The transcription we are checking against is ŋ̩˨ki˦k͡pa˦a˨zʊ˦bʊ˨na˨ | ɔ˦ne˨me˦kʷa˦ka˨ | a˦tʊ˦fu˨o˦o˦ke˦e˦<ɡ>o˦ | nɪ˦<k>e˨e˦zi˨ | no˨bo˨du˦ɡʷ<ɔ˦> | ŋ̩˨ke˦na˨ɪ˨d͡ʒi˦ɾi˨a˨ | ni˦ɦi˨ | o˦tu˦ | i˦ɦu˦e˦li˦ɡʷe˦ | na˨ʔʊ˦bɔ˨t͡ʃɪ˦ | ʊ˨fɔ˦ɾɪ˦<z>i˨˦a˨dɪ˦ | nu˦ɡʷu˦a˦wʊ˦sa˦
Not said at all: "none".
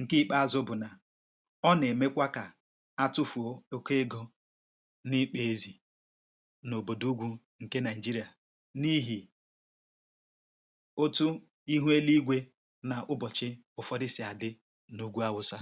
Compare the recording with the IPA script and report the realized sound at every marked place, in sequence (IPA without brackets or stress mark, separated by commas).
ɡ, k͡p, u˦, s